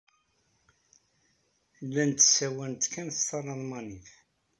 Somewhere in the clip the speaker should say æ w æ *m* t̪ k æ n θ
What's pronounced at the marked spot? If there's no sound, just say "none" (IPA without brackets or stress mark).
n